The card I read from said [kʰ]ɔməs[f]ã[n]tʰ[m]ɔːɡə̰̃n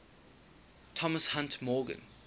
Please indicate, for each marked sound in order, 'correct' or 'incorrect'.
incorrect, incorrect, correct, correct

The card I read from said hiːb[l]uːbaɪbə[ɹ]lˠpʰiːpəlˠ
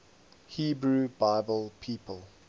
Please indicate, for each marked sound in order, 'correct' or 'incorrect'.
incorrect, incorrect

